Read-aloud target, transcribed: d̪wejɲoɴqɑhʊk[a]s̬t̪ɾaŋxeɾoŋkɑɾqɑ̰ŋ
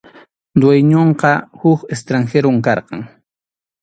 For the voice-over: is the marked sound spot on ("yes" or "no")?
no